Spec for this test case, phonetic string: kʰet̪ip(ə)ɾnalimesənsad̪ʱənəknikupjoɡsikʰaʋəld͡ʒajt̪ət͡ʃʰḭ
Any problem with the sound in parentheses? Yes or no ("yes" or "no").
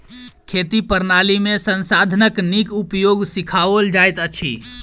no